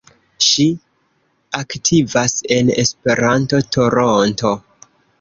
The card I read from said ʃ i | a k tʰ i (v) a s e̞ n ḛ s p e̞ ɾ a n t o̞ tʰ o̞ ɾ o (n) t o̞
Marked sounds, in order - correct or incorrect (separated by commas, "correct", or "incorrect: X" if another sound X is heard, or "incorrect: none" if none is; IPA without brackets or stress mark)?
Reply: correct, correct